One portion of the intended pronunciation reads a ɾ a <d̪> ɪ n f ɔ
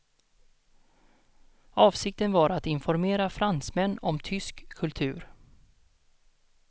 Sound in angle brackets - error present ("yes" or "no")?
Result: yes